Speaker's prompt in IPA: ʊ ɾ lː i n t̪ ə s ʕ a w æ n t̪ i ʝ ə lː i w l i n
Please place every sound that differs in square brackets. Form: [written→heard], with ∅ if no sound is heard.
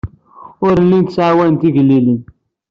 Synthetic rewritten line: ʊ ɾ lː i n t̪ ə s ʕ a w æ n t̪ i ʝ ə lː i [w→∅] l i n